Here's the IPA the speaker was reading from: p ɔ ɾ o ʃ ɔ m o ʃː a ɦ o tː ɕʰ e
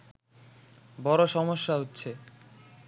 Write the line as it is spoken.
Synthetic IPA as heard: b ɔ ɾ o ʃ ɔ m o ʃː a ɦ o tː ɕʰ e